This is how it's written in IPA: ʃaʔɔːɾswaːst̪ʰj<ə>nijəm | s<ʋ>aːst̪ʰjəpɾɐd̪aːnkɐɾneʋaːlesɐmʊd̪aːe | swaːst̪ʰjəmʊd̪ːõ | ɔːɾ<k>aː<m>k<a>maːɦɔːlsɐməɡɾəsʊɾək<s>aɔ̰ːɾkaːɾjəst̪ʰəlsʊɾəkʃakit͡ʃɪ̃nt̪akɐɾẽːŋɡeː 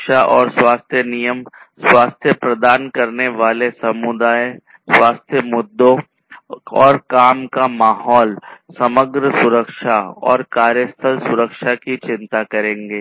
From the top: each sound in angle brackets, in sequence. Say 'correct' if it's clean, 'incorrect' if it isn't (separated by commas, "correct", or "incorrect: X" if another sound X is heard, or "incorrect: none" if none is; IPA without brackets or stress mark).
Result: correct, incorrect: w, correct, correct, correct, incorrect: ʃ